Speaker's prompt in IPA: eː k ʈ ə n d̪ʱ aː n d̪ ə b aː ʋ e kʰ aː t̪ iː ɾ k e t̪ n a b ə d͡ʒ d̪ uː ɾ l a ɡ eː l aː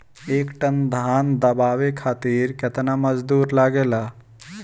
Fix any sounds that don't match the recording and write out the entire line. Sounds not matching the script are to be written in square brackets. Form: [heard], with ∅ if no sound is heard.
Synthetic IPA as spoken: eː k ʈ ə n d̪ʱ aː n d̪ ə b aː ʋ e kʰ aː t̪ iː ɾ k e t̪ n a [m] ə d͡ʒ d̪ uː ɾ l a ɡ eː l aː